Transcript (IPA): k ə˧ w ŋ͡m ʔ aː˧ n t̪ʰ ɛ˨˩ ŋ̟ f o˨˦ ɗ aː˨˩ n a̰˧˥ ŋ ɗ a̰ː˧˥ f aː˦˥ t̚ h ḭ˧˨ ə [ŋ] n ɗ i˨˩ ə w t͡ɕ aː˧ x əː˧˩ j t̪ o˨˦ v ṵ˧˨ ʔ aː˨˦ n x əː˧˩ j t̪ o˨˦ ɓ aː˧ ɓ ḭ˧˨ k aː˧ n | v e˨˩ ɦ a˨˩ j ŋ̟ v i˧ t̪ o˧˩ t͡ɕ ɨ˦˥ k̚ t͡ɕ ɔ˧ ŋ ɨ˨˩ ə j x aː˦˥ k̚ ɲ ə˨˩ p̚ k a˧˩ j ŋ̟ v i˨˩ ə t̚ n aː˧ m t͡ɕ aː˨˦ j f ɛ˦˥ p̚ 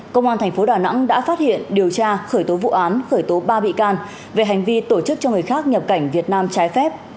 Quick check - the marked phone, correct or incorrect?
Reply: incorrect